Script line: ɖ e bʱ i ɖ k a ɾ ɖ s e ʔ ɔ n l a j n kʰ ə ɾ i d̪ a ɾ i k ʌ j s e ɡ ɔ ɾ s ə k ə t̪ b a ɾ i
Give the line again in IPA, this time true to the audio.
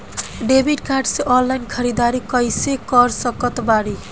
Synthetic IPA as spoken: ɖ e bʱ i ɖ k a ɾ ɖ s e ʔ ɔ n l a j n kʰ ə ɾ i d̪ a ɾ i k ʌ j s e k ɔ ɾ s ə k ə t̪ b a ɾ i